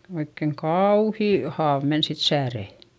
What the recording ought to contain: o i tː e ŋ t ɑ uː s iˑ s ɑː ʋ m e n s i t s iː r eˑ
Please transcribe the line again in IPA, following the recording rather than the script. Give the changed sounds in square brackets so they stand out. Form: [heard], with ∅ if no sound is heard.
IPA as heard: o i [kː] e ŋ [k] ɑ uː [h] iˑ [h] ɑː ʋ m e n s i t s [æː] r eˑ